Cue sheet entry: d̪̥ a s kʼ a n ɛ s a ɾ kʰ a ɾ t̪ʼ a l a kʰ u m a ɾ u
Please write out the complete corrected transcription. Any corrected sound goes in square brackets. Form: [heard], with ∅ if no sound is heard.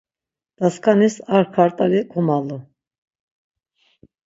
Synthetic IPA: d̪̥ a s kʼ a n [i] s a ɾ kʰ a ɾ t̪ʼ a l [i] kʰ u m a [l] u